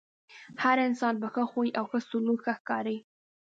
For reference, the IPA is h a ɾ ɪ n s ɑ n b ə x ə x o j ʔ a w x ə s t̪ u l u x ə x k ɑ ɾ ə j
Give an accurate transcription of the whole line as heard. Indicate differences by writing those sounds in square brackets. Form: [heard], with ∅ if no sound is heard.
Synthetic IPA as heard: h a ɾ ɪ n s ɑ n b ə x ə x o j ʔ a w x ə s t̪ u l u x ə x k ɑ ɾ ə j